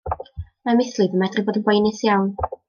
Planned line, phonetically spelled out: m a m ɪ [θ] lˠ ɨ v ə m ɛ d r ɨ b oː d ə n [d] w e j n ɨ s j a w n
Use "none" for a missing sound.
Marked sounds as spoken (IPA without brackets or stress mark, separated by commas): θ, ɡ